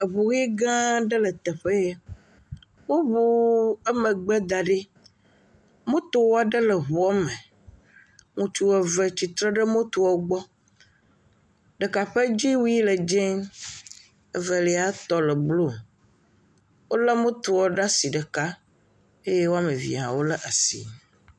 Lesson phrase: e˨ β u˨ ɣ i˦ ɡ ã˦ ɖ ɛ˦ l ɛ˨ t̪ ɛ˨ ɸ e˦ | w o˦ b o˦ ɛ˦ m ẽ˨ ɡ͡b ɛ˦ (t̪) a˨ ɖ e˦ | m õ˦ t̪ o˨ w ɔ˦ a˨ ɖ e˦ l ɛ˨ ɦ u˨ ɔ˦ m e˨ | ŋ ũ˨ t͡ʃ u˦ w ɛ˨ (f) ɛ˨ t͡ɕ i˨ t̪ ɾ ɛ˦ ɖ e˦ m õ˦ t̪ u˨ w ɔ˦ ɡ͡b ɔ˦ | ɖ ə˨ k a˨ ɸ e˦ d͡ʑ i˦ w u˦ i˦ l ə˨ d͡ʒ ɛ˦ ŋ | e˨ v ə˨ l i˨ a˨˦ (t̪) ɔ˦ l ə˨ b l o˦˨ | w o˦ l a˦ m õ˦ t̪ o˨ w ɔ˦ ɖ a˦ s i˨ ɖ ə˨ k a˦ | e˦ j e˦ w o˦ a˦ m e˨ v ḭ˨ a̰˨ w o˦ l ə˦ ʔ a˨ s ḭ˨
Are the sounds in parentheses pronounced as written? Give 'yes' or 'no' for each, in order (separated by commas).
no, no, yes